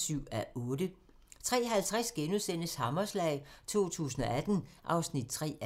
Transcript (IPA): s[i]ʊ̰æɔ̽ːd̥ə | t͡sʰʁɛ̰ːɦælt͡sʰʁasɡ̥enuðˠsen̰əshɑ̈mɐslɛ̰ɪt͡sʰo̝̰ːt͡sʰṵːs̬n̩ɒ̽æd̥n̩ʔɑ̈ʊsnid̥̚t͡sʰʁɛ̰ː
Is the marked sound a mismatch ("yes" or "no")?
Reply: yes